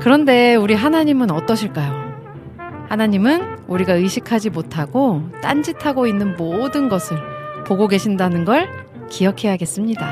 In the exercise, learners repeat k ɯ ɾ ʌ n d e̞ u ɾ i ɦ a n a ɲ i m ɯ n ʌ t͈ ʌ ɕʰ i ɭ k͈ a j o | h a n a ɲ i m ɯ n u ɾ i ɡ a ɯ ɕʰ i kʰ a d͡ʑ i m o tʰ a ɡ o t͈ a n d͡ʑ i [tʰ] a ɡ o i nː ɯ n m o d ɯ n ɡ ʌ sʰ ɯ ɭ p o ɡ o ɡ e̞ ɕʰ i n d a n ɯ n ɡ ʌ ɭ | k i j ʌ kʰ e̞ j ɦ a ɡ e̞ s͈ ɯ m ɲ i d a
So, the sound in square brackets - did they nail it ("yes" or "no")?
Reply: yes